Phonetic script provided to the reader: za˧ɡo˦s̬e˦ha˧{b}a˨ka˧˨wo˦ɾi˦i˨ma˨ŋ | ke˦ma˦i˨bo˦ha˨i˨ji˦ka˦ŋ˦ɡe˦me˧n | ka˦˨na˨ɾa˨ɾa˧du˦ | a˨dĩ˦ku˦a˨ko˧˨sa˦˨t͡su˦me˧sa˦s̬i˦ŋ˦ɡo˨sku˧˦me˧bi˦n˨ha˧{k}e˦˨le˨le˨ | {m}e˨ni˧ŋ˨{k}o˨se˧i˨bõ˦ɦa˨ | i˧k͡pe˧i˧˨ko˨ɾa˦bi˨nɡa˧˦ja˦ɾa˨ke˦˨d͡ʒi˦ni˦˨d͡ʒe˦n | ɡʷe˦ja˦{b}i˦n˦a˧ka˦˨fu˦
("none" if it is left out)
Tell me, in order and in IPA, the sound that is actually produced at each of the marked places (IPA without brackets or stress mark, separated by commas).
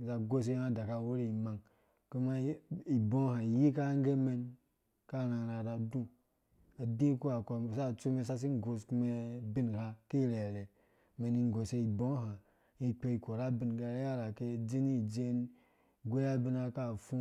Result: d, k, m, ɡ, b